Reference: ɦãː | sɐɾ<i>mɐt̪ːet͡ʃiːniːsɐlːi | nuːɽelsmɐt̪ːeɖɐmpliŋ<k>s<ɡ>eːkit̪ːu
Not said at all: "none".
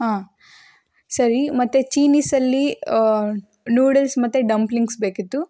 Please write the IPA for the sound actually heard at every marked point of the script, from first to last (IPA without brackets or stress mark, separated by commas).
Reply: i, ɡ, b